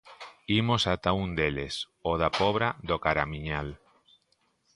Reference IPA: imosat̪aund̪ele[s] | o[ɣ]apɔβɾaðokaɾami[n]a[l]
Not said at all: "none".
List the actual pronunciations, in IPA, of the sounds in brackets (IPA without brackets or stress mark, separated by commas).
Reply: s, ð, ɲ, l